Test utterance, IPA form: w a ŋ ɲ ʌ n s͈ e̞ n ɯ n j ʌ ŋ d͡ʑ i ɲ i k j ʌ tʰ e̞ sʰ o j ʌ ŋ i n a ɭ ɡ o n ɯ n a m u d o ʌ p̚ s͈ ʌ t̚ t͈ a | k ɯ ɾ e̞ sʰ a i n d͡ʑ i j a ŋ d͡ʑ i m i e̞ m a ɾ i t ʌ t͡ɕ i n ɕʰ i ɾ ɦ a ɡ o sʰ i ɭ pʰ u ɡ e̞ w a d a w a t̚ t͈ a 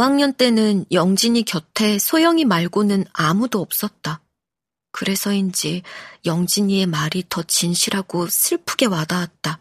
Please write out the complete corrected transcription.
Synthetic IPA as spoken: w a ŋ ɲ ʌ n t͈ e̞ n ɯ n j ʌ ŋ d͡ʑ i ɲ i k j ʌ tʰ e̞ sʰ o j ʌ ŋ i m a ɭ ɡ o n ɯ n a m u d o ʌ p̚ s͈ ʌ t̚ t͈ a | k ɯ ɾ e̞ sʰ ʌ i n d͡ʑ i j ʌ ŋ d͡ʑ i ɲ i e̞ m a ɾ i t ʌ t͡ɕ i n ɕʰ i ɾ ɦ a ɡ o sʰ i ɭ pʰ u ɡ e̞ w a d a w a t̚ t͈ a